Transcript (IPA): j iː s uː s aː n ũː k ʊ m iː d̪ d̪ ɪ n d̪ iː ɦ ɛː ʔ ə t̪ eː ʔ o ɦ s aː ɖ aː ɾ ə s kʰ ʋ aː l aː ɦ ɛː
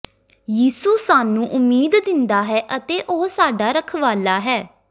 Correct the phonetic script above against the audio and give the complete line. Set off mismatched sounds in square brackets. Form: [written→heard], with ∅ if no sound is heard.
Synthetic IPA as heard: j iː s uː s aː n ũː [k→ʔ] ʊ m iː d̪ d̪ ɪ n d̪ [iː→aː] ɦ ɛː ʔ ə t̪ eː ʔ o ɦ s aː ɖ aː ɾ ə [s→∅] kʰ ʋ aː l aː ɦ ɛː